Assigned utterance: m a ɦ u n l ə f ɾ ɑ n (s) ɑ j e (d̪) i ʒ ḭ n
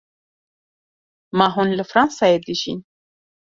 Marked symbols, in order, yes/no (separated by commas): yes, yes